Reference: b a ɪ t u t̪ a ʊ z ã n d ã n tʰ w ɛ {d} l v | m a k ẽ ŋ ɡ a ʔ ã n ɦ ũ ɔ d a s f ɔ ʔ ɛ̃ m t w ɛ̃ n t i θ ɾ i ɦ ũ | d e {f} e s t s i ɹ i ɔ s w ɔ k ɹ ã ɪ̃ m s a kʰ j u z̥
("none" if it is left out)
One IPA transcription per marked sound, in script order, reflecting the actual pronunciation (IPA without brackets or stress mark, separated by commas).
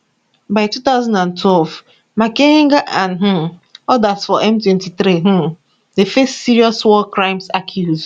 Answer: none, f